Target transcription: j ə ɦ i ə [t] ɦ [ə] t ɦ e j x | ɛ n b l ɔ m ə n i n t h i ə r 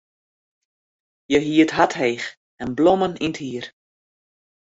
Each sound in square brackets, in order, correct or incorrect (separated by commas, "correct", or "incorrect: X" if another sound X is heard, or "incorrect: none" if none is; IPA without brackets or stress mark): correct, incorrect: a